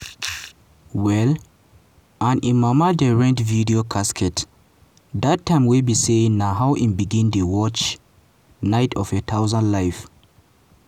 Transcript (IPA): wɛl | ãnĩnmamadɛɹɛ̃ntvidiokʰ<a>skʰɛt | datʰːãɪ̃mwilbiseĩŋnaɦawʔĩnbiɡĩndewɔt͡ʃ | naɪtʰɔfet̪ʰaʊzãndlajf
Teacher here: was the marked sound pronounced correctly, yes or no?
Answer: yes